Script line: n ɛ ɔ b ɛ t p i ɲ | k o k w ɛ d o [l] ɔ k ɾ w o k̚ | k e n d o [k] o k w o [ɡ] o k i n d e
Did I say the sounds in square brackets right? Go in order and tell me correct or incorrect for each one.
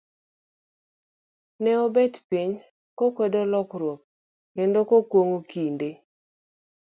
correct, correct, incorrect

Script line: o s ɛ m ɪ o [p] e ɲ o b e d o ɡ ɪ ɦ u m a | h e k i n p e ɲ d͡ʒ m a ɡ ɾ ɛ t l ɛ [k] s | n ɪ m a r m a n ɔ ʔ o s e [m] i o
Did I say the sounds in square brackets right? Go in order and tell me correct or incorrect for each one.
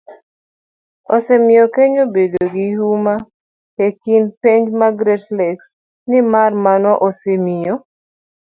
incorrect, correct, correct

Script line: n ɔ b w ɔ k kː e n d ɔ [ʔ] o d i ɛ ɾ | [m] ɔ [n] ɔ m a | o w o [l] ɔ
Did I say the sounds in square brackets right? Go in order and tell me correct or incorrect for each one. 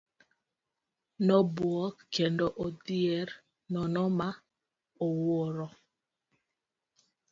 correct, incorrect, correct, incorrect

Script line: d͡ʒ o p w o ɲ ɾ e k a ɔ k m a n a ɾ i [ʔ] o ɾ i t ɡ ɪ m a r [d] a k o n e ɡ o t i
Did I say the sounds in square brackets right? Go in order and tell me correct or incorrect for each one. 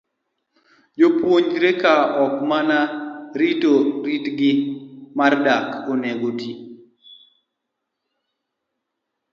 incorrect, correct

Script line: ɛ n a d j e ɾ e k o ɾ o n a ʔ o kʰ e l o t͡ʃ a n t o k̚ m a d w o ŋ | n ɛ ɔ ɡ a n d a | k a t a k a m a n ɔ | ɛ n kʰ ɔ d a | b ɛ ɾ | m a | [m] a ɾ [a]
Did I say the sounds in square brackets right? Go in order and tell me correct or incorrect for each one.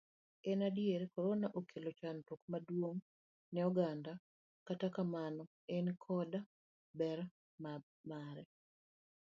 correct, incorrect

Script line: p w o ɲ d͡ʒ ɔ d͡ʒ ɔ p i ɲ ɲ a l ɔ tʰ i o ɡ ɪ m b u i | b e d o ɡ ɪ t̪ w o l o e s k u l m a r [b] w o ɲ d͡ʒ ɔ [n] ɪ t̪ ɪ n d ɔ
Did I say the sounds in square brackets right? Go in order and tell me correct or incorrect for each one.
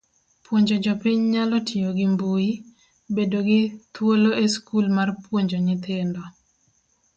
incorrect, incorrect

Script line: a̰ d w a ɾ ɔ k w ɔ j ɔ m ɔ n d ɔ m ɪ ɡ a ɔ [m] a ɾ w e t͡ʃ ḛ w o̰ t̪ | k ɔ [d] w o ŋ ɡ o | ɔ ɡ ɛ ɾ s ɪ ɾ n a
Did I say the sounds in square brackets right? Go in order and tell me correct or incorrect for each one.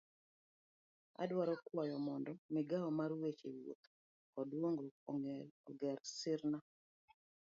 correct, correct

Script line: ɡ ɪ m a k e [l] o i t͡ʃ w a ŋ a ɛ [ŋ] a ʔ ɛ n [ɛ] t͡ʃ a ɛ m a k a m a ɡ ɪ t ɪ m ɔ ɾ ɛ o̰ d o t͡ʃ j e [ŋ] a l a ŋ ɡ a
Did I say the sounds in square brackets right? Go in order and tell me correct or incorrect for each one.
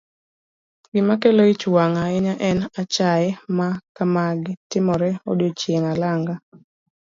correct, incorrect, incorrect, correct

